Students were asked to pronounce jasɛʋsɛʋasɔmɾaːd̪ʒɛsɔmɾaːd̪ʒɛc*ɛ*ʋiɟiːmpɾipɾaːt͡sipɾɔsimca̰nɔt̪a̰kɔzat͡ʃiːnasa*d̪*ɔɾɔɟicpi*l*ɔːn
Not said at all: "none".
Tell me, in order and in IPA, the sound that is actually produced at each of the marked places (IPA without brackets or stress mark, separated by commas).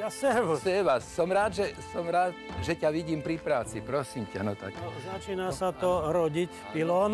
a, t̪, l